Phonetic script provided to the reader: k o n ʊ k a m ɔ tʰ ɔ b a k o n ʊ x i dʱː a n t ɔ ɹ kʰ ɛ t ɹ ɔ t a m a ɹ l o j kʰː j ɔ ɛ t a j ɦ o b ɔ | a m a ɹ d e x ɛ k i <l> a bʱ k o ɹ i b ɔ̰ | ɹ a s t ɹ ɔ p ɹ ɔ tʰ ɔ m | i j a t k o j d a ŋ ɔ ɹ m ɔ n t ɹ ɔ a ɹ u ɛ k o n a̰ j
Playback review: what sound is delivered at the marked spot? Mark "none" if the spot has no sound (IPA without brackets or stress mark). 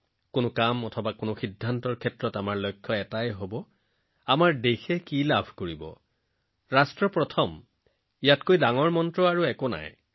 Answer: l